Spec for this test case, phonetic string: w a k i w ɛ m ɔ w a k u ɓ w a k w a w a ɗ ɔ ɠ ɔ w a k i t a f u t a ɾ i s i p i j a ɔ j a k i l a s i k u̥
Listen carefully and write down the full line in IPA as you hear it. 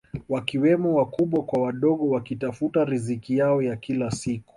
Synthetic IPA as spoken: w a k i w ɛ m ɔ w a k u ɓ w a k w a w a ɗ ɔ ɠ ɔ w a k i t a f u t a ɾ i z i k i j a ɔ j a k i l a s i k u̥

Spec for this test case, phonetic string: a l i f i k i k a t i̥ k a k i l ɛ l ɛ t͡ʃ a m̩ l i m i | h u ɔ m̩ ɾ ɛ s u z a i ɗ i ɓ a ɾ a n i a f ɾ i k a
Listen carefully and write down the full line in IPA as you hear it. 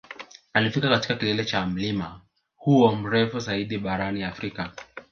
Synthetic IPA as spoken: a l i f i k a k a t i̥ k a k i l ɛ l ɛ t͡ʃ a m̩ l i m a | h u ɔ m̩ ɾ ɛ f u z a i ɗ i ɓ a ɾ a n i a f ɾ i k a

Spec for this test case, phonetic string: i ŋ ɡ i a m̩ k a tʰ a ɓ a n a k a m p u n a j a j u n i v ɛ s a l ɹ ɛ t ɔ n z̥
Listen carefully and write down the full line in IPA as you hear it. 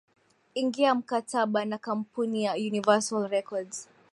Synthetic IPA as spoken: i ŋ ɡ i a m̩ k a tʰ a ɓ a n a k a m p u n i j a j u n i v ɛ s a l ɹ ɛ k ɔ d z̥

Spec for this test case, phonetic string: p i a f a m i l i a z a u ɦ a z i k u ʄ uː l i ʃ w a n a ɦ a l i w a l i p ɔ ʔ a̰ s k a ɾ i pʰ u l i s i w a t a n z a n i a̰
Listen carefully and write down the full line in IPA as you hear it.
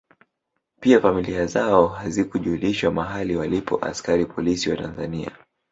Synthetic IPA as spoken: p i a f a m i l i a z a ɔ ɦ a z i k u ʄ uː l i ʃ w a m a ɦ a l i w a l i p ɔ ʔ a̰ s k a ɾ i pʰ ɔ l i s i w a t a n z a n i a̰

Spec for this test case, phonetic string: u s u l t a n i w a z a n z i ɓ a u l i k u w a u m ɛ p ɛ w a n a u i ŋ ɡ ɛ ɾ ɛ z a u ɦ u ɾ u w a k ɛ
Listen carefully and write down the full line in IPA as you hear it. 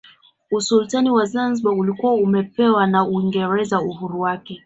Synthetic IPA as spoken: u s u l t a n i w a z a n z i ɓ a u l i k u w a u m ɛ p ɛ w a n a u i ŋ ɡ ɛ ɾ ɛ z a u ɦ u ɾ u w a k ɛ

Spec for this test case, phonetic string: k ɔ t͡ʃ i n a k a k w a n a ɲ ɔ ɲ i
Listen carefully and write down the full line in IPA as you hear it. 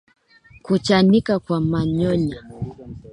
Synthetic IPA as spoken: k u t͡ʃ a n i k a k w a m a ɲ ɔ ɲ a

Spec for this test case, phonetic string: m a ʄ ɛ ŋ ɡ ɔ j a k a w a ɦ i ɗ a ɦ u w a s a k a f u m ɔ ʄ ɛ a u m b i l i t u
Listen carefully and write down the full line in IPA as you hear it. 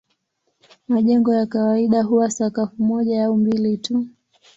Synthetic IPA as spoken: m a ʄ ɛ ŋ ɡ ɔ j a k a w a i ɗ a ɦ u w a s a k a f u m ɔ ʄ a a u m b i l i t u

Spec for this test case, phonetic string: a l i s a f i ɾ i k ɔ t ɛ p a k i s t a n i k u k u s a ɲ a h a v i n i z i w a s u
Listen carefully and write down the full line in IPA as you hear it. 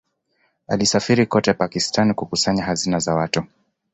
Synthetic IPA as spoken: a l i s a f i ɾ i k ɔ t ɛ p a k i s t a n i k u k u s a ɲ a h a z i n a z a w a t u

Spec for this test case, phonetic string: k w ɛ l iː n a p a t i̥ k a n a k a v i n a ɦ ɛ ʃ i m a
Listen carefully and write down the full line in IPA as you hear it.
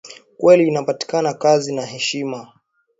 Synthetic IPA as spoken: k w ɛ l iː n a p a t i̥ k a n a k a z i n a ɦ ɛ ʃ i m a

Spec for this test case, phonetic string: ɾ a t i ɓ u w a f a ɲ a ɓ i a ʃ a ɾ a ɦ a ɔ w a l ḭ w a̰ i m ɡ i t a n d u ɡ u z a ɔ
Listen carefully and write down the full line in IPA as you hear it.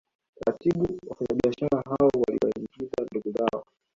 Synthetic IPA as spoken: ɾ a t i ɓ u w a f a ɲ a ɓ i a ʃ a ɾ a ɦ a ɔ w a l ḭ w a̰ i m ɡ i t a n d u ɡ u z a ɔ

